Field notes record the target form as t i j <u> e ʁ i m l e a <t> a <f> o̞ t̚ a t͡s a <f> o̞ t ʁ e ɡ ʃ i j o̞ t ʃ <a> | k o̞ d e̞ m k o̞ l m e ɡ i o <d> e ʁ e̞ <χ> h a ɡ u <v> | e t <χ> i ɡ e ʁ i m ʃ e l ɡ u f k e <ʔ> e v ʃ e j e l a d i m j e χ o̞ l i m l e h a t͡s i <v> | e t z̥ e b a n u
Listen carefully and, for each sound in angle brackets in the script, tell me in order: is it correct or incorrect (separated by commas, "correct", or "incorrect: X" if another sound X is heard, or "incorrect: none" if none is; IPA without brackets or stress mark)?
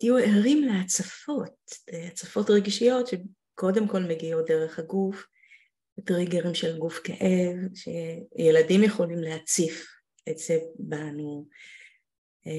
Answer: correct, incorrect: t͡s, correct, correct, incorrect: e, correct, correct, incorrect: f, incorrect: ʁ, correct, incorrect: f